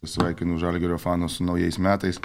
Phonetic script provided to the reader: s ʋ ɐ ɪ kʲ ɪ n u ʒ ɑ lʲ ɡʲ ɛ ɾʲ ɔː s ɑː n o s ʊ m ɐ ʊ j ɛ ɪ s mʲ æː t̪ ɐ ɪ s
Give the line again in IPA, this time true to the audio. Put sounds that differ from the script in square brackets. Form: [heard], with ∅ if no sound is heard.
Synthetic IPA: s ʋ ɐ ɪ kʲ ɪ n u ʒ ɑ lʲ ɡʲ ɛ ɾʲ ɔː [f] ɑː n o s ʊ [n] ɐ ʊ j ɛ ɪ s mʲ æː t̪ ɐ ɪ s